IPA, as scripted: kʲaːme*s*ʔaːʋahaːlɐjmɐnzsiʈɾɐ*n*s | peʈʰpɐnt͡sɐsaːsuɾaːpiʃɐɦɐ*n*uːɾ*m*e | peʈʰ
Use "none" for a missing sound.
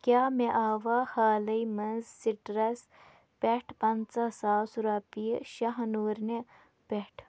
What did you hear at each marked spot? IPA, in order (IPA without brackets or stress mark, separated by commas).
none, none, n, n